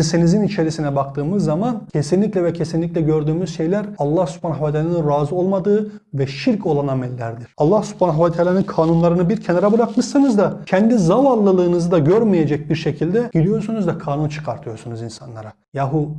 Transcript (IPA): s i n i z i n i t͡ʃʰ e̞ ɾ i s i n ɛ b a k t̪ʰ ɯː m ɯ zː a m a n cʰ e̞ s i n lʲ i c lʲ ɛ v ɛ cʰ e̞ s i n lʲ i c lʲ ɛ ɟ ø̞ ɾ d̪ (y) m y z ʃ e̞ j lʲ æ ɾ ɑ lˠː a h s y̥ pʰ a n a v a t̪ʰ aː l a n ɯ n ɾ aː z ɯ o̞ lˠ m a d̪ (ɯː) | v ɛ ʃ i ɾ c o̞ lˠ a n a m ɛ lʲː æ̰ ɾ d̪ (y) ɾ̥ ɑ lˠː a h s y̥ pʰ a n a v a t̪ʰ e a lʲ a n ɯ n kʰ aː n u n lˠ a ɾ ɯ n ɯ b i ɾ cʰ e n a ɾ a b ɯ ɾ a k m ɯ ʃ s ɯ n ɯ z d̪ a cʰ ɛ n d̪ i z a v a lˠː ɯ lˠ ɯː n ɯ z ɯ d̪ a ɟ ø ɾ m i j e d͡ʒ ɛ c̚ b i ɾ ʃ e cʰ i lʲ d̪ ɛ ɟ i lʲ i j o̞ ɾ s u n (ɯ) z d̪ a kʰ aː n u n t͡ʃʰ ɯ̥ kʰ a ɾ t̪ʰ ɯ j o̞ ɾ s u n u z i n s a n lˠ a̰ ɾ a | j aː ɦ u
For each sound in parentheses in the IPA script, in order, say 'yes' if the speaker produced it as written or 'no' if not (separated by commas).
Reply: no, yes, no, no